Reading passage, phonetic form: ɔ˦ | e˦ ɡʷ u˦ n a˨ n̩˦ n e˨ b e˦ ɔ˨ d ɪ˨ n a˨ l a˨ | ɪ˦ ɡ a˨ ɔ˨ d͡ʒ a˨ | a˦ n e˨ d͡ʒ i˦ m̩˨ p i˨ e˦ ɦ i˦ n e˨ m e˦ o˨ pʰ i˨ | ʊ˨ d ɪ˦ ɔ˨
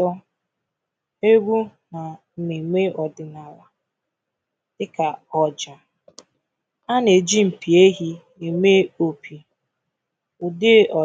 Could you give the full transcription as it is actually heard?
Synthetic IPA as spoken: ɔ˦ | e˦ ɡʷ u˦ n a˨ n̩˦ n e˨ m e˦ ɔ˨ d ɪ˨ n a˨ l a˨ | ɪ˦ k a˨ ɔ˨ d͡ʒ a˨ | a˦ n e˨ d͡ʒ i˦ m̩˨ p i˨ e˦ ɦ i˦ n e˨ m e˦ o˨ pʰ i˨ | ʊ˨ d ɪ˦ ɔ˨